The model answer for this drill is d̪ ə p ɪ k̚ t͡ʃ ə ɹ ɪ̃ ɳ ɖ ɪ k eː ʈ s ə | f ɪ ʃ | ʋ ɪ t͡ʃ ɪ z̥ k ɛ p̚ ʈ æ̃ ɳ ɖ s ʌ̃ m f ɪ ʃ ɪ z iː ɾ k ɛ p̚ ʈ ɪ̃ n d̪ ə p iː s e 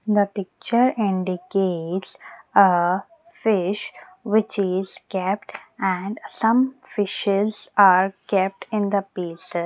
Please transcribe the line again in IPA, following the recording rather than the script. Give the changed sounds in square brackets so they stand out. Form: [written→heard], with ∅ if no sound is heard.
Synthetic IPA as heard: d̪ ə p ɪ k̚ t͡ʃ ə [ɹ→ɾ] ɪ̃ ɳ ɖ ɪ k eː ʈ s ə | f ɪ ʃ | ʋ ɪ t͡ʃ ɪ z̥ k ɛ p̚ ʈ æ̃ ɳ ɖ s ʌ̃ m f ɪ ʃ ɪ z [iː→aː] ɾ k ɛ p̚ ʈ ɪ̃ n d̪ ə p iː s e